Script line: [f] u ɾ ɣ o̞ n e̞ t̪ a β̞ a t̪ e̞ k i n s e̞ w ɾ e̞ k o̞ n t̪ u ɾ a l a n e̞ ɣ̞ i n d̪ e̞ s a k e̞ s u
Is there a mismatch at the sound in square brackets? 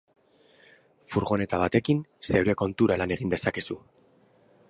no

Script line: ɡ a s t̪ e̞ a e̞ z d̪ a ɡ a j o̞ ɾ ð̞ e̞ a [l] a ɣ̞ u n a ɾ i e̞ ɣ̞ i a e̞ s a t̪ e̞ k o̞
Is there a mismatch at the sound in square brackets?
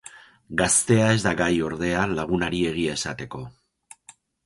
no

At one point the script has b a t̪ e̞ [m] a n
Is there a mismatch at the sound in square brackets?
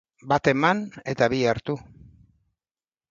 no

